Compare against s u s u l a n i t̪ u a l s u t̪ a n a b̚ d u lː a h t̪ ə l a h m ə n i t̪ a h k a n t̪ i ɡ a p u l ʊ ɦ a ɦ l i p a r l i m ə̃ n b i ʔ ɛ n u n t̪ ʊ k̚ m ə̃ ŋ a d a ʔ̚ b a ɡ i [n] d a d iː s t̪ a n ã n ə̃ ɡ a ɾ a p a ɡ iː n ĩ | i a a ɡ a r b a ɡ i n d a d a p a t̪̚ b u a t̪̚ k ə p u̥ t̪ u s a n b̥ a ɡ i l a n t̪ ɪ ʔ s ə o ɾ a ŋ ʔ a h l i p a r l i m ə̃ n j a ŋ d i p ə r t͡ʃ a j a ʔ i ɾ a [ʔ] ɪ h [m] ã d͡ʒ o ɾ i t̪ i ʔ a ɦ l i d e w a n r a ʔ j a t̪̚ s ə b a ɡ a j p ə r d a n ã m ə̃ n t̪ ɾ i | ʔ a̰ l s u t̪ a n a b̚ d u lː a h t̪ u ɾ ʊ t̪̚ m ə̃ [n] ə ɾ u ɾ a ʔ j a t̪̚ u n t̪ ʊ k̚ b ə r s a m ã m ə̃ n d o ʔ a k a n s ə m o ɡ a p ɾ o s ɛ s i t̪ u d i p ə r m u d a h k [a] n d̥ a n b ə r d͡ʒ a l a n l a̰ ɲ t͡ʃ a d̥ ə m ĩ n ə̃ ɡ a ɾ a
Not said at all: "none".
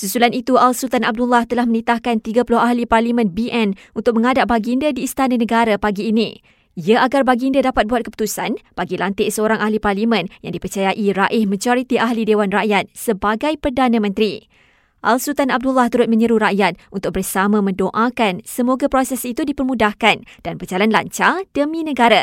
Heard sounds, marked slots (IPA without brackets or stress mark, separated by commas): n, ʔ, m, ɲ, a